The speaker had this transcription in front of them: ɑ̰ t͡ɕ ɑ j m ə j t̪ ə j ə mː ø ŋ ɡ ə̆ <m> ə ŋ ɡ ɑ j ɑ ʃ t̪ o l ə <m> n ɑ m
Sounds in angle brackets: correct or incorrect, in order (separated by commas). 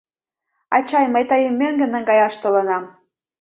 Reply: incorrect, incorrect